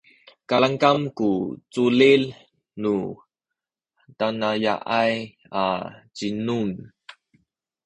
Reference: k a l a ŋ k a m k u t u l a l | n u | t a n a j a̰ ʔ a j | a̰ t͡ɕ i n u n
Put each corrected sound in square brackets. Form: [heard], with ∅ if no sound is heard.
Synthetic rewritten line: k a l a ŋ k a m k u [t͡s] u l [i] l | n u | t a n a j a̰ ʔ a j | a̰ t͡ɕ i n u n